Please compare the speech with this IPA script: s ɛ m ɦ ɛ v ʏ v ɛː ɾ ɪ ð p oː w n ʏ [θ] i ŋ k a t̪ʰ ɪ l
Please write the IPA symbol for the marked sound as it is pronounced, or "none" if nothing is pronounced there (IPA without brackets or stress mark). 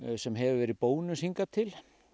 s